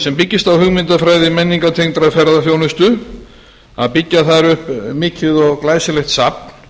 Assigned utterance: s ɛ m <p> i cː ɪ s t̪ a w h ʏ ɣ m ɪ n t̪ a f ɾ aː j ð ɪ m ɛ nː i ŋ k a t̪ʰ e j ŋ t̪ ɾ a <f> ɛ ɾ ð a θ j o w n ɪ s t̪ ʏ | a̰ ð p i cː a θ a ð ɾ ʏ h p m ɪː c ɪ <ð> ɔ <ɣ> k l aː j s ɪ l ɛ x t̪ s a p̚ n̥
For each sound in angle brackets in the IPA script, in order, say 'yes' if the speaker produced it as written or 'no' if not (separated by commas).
yes, yes, yes, yes